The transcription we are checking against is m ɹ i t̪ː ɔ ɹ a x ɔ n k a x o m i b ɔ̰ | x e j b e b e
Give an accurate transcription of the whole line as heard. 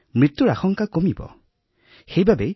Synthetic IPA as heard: m ɹ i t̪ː u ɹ a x ɔ ŋ k a k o m i b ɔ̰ | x e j b a b e